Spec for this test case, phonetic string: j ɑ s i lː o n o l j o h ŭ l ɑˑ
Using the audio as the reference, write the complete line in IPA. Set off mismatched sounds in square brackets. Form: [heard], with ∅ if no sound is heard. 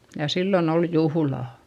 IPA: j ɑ s i lː o n o l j [u] h ŭ l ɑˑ